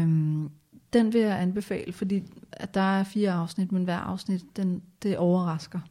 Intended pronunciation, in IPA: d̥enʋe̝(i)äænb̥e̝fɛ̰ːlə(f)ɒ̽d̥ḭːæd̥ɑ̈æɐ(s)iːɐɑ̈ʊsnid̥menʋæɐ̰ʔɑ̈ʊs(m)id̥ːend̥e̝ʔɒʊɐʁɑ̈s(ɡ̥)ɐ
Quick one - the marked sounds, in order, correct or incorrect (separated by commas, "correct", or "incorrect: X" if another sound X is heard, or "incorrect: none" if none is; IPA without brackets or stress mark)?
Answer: incorrect: j, correct, incorrect: f, incorrect: n, correct